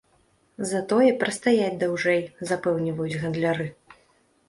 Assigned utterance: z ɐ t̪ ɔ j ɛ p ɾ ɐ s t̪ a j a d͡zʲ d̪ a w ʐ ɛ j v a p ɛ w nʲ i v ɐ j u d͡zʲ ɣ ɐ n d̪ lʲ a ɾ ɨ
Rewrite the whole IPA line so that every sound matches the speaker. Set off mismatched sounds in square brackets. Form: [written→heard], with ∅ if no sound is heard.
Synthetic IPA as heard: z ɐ t̪ ɔ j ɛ p ɾ ɐ s t̪ a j a d͡zʲ d̪ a w ʐ ɛ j [v→z] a p ɛ w nʲ i v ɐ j u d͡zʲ ɣ ɐ n d̪ lʲ a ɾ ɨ